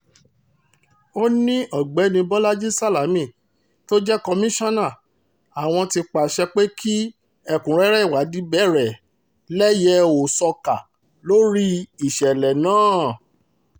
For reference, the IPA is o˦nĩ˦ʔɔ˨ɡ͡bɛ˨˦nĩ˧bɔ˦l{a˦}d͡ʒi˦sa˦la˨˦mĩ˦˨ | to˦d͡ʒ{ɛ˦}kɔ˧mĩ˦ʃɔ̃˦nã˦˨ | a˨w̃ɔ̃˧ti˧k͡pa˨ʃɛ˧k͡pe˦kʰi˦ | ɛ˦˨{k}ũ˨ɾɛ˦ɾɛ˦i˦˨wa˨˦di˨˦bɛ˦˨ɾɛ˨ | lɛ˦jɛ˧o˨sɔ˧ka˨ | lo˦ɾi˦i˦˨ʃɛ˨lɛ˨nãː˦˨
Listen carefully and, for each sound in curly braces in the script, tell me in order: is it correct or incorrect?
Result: correct, correct, correct

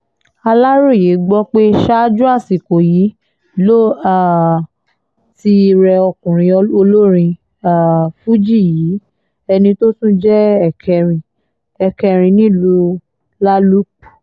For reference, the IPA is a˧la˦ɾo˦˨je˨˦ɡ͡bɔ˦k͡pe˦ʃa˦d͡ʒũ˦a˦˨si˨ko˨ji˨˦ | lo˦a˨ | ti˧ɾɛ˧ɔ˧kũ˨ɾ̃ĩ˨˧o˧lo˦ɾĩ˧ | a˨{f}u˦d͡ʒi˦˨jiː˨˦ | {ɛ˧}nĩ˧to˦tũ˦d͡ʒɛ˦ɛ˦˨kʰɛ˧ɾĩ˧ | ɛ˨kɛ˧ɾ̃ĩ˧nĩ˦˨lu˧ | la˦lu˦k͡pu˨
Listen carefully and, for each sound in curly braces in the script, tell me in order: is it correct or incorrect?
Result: correct, correct

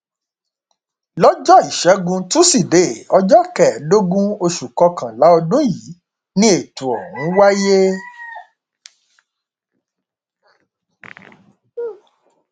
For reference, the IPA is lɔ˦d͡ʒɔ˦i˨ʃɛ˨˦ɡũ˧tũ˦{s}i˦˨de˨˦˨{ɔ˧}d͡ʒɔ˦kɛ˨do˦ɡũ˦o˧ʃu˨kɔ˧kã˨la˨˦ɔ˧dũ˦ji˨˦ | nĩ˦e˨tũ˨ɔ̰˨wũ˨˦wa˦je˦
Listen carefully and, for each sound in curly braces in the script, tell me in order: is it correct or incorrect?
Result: correct, correct

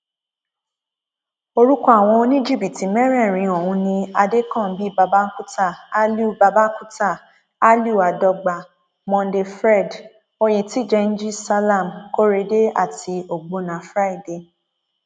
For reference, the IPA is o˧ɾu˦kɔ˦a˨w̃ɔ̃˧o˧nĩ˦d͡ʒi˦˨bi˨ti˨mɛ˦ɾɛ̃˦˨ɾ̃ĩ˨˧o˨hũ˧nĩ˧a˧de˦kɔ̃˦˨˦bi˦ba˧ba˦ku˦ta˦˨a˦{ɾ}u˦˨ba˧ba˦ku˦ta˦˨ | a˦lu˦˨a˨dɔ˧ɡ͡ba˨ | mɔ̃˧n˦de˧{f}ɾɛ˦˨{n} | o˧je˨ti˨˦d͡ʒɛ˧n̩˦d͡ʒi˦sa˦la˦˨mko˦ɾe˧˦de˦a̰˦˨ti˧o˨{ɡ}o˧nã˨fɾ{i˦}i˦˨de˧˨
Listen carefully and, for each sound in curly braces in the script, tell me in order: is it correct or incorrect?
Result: incorrect: l, correct, incorrect: d, incorrect: ɡ͡b, incorrect: a˦

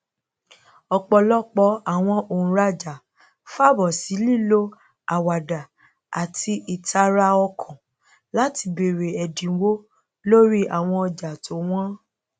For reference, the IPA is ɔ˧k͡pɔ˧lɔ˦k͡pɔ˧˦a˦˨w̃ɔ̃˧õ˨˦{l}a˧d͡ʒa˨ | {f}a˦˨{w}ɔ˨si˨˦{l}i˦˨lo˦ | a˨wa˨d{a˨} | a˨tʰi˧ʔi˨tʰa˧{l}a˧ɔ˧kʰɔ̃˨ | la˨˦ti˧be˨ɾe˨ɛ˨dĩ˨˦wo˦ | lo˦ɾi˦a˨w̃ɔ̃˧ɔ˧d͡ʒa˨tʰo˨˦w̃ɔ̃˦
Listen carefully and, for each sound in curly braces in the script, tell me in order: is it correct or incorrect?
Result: incorrect: ɾ, correct, incorrect: b, correct, correct, incorrect: ɾ

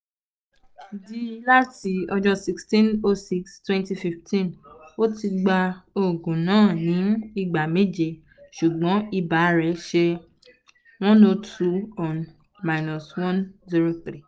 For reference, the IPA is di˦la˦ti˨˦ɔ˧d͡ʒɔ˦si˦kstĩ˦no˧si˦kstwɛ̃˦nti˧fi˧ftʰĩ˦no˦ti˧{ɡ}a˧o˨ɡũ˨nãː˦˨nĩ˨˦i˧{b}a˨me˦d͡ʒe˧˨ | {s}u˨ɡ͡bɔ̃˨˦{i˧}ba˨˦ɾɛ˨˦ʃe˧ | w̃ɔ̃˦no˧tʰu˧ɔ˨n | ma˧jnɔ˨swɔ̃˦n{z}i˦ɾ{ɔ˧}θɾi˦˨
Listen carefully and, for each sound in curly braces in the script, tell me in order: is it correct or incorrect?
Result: incorrect: ɡ͡b, incorrect: ɡ͡b, incorrect: ʃ, correct, correct, incorrect: o˧

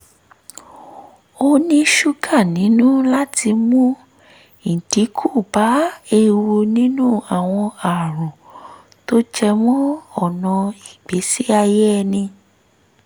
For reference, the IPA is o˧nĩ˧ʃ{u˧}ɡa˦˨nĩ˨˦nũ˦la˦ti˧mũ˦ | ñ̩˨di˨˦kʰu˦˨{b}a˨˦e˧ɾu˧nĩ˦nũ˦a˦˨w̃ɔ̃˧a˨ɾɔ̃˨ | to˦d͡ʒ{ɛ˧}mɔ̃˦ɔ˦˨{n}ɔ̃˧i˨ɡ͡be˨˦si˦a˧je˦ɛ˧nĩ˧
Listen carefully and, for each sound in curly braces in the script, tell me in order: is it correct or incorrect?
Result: correct, correct, correct, correct

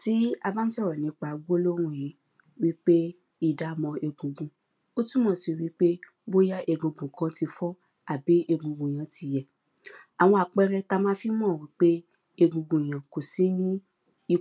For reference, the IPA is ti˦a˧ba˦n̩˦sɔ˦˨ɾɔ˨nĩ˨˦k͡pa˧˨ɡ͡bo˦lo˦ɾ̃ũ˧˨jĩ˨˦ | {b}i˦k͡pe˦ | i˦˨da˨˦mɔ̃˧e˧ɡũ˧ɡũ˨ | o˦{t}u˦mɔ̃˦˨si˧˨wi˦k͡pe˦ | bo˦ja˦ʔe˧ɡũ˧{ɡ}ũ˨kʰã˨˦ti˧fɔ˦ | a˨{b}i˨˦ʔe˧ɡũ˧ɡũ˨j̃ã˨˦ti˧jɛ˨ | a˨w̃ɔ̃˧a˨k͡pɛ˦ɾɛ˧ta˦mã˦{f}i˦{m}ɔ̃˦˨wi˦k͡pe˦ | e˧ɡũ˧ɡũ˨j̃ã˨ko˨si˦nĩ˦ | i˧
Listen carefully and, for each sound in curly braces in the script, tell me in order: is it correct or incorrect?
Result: incorrect: w, correct, correct, correct, correct, correct

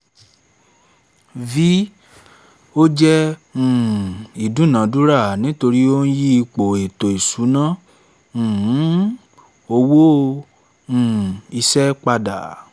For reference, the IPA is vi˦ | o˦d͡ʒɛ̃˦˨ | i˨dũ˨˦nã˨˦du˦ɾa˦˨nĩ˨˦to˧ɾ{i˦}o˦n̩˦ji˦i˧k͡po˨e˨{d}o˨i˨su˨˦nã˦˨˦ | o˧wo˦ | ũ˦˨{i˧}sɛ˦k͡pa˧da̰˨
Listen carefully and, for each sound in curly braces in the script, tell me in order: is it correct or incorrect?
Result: correct, incorrect: t, correct

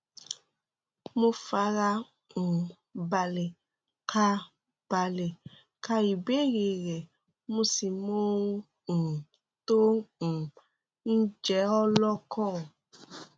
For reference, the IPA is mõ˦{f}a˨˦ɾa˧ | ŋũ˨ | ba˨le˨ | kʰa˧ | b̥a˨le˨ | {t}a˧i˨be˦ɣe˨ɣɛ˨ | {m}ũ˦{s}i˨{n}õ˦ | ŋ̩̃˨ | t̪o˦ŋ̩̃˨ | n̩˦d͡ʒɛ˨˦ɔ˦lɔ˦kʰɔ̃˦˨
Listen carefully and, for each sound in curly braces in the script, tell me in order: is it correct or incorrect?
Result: correct, incorrect: k, correct, correct, incorrect: m

